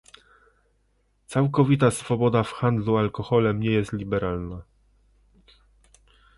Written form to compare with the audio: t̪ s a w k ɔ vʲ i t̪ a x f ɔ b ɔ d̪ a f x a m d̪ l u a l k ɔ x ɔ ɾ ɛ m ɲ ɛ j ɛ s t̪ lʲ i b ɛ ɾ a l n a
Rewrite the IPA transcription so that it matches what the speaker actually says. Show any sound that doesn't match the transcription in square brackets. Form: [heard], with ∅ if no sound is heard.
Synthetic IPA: t̪ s a w k ɔ vʲ i t̪ a [s] f ɔ b ɔ d̪ a f x a [n] d̪ l u a l k ɔ x ɔ [l] ɛ m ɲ ɛ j ɛ s t̪ lʲ i b ɛ ɾ a l n a